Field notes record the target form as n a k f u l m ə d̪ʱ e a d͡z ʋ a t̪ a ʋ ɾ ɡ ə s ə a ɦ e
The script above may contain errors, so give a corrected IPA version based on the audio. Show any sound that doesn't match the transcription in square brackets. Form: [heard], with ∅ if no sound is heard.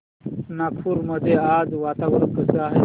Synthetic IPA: n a k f u [ɾ] m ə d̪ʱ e a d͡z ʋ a t̪ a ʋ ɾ [k] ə s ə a ɦ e